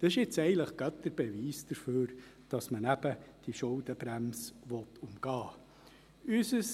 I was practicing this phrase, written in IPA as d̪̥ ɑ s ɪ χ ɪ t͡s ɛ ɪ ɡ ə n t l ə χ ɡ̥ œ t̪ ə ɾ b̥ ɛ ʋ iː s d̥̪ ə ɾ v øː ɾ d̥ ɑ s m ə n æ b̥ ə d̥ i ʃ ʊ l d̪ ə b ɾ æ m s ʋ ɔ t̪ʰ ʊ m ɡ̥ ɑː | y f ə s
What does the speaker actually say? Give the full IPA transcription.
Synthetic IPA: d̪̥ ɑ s ɪ ʃ ɪ t͡s ɛ ɪ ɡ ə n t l ə χ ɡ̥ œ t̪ ə ɾ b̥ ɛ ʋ iː s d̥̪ ə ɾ f øː ɾ d̥ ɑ s m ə n æ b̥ ə d̥ i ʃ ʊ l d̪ ə b ɾ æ m s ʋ ɔ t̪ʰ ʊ m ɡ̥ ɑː | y s ə s